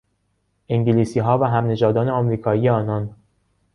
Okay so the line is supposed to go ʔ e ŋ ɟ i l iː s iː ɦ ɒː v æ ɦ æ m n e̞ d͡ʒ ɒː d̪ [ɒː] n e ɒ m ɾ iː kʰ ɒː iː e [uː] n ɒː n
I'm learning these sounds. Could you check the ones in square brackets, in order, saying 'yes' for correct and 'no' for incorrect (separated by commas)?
yes, no